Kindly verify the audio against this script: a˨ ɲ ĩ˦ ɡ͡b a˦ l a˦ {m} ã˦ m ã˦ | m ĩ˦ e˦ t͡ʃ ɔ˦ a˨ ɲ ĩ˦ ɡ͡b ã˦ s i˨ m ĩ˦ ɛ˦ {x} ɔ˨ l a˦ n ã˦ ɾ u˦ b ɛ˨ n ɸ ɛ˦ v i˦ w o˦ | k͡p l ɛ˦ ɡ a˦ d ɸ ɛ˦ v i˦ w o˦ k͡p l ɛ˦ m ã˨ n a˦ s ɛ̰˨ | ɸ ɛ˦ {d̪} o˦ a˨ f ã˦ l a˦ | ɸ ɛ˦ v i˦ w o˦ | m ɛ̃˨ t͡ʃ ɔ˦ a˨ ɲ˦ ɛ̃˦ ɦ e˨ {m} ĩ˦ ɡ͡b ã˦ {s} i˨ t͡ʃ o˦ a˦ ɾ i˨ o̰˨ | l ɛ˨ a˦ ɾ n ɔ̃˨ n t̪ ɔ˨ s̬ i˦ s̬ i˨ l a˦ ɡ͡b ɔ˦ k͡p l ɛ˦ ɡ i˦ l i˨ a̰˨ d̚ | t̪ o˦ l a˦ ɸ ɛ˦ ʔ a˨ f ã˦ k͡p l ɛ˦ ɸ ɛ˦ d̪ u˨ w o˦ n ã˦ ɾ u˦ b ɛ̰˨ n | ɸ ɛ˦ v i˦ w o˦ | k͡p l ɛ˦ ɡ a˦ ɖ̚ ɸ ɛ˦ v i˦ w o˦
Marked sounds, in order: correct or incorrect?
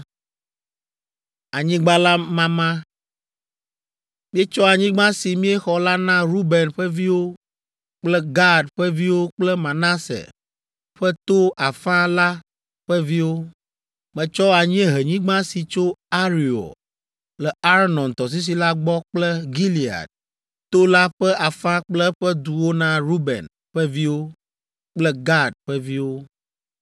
correct, correct, incorrect: t̪, incorrect: ɲ, correct

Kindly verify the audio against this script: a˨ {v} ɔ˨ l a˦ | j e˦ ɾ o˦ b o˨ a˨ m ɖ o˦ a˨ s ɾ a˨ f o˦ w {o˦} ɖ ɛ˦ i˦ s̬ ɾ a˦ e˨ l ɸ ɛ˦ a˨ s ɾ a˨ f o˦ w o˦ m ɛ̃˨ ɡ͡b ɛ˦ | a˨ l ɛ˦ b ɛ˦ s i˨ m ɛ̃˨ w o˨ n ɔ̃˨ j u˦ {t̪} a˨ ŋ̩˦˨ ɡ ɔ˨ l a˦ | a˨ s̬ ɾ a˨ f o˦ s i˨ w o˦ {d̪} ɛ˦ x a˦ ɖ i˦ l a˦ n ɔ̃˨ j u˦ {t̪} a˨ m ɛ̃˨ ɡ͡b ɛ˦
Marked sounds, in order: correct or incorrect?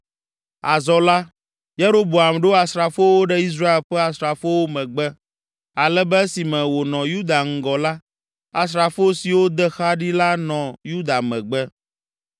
incorrect: z, correct, incorrect: d̪, correct, incorrect: d̪

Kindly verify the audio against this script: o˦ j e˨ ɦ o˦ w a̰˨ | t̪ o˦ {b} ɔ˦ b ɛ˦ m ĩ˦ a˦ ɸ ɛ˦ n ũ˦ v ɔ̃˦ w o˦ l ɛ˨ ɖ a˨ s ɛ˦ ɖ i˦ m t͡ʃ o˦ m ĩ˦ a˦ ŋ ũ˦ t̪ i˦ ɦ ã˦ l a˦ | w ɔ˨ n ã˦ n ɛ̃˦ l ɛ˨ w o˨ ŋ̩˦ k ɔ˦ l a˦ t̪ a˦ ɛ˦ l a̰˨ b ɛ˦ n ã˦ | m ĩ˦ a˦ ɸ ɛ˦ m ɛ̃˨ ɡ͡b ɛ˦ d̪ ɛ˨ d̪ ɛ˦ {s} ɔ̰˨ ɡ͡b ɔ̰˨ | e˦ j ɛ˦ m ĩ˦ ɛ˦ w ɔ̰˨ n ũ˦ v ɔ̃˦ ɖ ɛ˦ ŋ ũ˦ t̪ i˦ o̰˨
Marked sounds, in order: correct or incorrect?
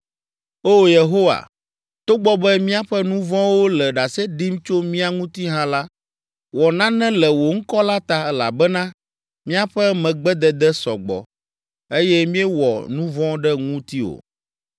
incorrect: ɡ͡b, correct

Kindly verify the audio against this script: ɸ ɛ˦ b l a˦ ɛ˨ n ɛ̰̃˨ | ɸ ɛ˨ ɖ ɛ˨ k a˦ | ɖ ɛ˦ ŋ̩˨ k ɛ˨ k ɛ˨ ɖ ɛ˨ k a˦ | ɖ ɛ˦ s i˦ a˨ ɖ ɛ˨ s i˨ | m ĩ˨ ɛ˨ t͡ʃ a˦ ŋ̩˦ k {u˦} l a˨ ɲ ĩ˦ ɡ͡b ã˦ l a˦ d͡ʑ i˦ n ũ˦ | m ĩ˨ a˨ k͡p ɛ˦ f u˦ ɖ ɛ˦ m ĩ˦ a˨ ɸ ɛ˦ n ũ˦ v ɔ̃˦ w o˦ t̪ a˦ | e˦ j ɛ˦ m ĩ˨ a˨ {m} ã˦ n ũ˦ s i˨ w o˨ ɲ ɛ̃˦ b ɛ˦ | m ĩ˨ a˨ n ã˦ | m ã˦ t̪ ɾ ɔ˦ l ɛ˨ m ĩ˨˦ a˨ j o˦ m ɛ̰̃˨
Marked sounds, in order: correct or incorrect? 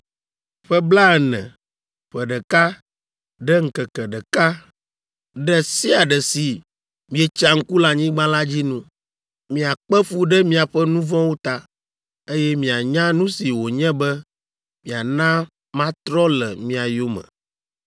correct, incorrect: ɲ

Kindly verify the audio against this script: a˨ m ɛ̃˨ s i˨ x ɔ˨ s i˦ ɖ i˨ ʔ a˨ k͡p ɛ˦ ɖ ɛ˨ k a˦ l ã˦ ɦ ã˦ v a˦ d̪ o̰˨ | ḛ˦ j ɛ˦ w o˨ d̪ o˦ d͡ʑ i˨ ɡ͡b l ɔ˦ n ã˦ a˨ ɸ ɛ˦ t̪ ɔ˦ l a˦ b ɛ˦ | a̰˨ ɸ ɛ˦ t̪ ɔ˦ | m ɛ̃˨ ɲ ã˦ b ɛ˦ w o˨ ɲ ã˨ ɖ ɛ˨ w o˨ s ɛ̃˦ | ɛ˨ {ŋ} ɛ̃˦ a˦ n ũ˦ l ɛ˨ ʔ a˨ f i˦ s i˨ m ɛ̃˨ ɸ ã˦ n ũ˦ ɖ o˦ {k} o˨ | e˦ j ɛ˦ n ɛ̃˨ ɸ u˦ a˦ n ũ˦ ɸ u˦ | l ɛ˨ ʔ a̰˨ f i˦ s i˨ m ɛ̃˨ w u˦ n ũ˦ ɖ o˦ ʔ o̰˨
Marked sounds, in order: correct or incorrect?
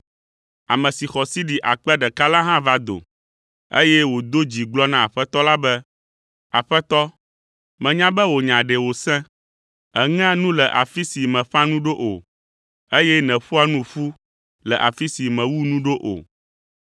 correct, incorrect: ʔ

